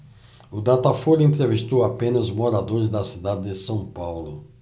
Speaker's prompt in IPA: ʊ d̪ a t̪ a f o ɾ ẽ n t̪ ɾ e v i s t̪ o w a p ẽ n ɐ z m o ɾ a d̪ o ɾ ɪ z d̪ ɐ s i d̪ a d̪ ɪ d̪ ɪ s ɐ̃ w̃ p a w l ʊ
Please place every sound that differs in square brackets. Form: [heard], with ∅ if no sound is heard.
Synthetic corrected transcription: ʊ d̪ a t̪ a f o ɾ ẽ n t̪ ɾ e v i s t̪ o w a p ẽ n ɐ z m o ɾ a d̪ o ɾ ɪ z d̪ ɐ s i d̪ a d̪ ɪ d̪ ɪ s ɐ̃ w̃ p a w l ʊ